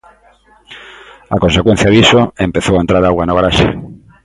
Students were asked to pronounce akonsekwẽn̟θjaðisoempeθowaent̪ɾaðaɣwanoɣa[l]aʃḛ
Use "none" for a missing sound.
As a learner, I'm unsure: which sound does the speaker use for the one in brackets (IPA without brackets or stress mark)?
ɾ